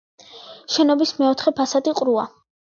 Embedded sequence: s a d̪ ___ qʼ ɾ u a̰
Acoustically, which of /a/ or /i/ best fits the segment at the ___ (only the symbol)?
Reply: i